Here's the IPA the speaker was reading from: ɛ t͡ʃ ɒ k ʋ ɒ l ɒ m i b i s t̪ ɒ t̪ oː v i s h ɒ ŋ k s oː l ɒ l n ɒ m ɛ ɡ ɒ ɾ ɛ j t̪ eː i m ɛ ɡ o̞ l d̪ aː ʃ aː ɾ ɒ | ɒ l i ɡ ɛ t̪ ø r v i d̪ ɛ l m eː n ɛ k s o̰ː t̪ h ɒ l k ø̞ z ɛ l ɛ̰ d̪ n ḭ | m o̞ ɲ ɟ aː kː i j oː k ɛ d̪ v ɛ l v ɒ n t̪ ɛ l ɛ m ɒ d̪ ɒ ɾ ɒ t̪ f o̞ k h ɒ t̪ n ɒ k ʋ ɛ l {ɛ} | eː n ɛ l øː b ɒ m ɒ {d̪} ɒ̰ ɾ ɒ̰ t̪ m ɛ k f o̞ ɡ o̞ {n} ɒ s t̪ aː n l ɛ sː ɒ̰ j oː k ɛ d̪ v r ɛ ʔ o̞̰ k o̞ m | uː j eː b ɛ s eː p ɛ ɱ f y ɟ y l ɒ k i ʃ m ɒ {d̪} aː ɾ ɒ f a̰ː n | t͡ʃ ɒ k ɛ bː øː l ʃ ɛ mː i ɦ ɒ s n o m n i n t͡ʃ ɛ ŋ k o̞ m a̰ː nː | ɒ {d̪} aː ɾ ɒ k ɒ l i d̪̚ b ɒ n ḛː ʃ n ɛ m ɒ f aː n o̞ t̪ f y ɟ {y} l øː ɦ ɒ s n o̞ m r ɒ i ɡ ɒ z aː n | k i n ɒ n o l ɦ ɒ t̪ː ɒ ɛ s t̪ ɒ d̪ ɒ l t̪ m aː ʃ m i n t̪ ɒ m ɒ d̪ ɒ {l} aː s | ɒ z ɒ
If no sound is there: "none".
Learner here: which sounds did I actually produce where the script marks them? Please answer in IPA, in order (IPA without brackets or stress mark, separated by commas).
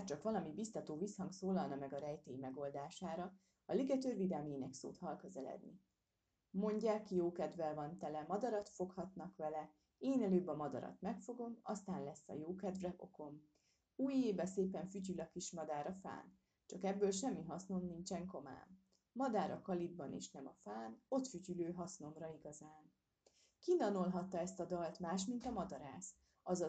ɛ, d̪, m, d̪, d̪, y, ɾ